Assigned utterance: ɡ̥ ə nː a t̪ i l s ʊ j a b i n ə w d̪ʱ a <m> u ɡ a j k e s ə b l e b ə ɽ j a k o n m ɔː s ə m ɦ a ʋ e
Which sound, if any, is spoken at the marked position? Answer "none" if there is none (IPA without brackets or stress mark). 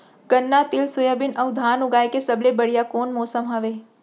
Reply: n